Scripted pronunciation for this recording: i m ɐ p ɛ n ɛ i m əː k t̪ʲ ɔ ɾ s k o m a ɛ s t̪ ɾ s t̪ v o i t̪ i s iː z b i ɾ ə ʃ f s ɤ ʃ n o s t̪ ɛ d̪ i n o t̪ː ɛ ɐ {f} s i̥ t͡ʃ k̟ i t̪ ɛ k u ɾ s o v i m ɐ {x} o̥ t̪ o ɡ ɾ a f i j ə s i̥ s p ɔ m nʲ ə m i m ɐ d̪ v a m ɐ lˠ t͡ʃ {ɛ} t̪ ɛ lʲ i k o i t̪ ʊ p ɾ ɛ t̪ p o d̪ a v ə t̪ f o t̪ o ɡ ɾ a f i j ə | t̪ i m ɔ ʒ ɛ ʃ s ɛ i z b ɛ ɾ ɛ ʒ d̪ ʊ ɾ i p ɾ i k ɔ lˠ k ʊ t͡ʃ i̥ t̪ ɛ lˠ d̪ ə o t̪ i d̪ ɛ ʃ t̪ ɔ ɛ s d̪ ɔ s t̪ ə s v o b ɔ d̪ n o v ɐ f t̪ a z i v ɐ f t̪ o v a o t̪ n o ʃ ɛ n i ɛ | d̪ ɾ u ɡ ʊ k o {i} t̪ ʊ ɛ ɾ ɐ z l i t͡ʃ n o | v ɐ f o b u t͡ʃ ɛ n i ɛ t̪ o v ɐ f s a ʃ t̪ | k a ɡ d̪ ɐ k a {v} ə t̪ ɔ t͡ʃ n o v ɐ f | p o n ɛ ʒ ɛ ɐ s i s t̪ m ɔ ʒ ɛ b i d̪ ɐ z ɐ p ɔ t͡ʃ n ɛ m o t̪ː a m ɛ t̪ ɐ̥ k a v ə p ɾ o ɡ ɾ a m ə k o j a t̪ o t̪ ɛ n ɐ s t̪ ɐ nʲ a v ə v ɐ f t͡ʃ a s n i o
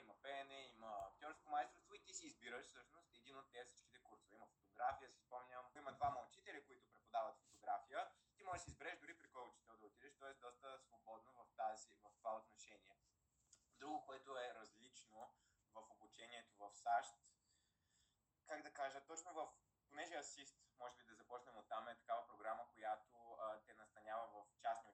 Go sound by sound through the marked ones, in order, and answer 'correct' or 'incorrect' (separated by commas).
correct, incorrect, incorrect, incorrect, incorrect